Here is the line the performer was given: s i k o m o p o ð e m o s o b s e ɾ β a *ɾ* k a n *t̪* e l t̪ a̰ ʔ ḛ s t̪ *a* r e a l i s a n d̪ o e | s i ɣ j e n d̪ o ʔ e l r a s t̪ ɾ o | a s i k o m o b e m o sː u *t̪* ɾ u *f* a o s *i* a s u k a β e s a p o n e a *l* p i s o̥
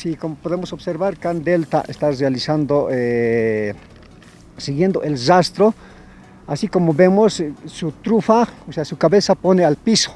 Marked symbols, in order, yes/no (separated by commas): yes, no, yes, yes, yes, no, yes